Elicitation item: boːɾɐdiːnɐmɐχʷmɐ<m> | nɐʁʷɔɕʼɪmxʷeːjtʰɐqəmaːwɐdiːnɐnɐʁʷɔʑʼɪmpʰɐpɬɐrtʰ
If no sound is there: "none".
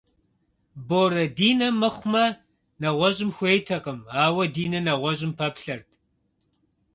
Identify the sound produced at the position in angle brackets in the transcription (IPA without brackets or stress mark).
none